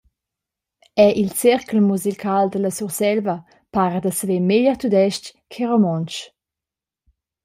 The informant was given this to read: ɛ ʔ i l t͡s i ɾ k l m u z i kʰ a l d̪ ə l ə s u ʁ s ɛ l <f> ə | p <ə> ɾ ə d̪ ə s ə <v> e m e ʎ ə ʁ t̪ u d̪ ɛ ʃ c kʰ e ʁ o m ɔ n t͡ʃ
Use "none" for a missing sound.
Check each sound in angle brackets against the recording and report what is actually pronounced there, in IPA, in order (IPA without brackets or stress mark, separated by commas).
v, a, v